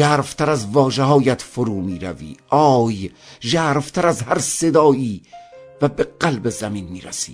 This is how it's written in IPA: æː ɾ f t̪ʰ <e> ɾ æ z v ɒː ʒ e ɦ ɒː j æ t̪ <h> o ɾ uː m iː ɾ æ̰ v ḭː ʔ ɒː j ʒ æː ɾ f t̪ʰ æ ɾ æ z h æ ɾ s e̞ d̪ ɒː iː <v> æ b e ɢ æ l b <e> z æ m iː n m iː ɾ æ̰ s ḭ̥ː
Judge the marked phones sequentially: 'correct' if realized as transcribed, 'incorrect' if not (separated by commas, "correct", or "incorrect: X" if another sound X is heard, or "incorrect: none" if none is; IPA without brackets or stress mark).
incorrect: æ, incorrect: f, correct, correct